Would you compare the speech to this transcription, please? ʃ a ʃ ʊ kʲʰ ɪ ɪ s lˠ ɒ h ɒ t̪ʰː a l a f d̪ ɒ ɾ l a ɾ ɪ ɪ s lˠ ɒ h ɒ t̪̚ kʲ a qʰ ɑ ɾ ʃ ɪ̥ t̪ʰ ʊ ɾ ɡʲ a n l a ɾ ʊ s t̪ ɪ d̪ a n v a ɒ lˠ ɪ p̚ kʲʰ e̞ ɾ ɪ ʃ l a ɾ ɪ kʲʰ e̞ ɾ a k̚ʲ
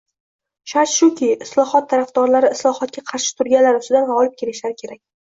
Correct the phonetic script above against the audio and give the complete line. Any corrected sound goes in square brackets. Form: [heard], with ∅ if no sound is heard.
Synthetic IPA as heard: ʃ a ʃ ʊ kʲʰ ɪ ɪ s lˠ ɒ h ɒ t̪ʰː a [ɾ] a f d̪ ɒ ɾ l a ɾ ɪ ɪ s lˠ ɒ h ɒ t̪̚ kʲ a qʰ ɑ ɾ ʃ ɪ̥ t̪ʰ ʊ ɾ ɡʲ a n l a ɾ ʊ s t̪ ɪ d̪ a n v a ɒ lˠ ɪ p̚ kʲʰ e̞ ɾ ɪ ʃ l a ɾ ɪ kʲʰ e̞ ɾ a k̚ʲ